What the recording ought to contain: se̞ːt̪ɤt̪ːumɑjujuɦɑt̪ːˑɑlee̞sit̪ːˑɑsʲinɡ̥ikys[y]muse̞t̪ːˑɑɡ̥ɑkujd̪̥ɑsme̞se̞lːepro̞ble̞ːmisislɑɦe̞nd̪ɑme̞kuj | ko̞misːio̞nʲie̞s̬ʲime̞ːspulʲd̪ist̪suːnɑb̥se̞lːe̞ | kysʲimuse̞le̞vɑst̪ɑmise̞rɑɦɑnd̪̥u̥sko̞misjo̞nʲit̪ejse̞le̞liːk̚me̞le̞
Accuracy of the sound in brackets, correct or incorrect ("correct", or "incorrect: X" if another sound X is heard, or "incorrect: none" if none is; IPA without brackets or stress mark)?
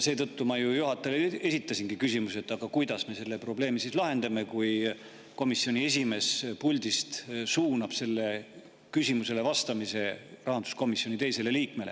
incorrect: i